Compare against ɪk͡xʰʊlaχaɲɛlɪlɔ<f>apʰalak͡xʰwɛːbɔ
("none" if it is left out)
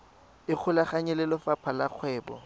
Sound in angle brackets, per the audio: f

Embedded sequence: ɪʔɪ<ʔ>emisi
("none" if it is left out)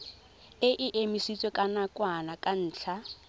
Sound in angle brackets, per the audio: ʔ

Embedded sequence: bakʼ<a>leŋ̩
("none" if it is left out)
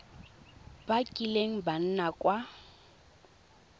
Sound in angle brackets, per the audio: i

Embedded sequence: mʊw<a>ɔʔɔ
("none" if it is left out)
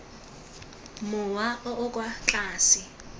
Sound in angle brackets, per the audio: a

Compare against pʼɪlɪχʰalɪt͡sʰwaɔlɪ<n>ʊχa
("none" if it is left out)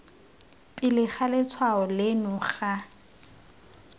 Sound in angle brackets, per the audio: n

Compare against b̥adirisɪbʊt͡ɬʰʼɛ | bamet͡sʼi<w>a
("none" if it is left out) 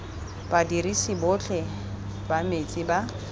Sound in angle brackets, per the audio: b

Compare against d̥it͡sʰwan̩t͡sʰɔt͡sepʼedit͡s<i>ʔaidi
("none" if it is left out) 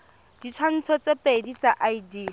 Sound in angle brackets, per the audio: a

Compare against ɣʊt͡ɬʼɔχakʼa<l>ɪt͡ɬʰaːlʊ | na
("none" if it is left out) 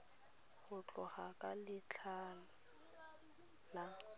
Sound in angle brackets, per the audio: l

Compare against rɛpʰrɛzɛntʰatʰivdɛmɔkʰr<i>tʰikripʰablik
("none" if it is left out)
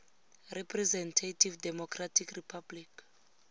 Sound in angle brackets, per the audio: a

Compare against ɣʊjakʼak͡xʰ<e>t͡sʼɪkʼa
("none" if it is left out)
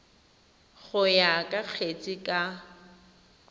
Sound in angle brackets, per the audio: e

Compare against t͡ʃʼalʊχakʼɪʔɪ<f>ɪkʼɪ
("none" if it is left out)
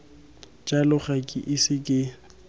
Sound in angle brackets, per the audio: s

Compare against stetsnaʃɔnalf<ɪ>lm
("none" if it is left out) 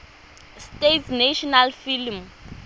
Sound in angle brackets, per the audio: i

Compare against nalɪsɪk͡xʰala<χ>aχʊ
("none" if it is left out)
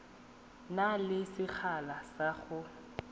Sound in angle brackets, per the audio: s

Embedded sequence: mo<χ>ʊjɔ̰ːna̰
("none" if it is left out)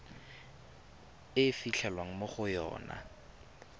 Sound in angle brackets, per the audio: χ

